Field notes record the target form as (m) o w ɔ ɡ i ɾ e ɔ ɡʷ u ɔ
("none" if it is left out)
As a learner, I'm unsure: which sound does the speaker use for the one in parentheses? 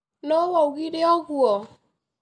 n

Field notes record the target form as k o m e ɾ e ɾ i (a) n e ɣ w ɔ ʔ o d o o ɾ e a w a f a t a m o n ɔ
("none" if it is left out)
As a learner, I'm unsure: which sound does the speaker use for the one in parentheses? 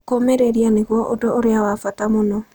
a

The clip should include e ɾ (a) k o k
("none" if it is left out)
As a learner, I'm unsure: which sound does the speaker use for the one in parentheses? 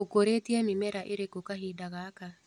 e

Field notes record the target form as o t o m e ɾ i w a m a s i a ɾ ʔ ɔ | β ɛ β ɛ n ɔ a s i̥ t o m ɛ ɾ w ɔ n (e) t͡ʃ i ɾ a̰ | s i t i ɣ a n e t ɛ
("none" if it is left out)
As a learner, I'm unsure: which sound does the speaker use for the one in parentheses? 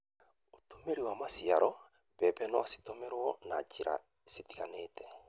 a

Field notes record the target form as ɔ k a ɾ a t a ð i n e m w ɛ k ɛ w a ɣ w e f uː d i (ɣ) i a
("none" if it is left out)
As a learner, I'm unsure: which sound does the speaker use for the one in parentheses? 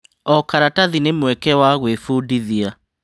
ð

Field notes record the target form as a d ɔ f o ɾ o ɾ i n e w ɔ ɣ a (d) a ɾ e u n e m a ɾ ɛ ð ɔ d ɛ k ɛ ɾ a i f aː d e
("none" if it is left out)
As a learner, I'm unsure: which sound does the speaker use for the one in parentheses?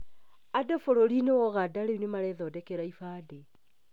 d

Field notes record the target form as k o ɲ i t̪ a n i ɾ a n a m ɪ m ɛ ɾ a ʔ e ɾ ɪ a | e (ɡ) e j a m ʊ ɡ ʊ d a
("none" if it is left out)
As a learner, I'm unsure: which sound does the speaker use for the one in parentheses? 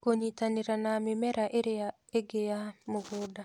ɡ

